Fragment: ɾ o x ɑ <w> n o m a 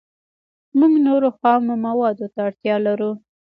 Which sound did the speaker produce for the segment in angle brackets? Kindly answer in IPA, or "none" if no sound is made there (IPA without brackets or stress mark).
w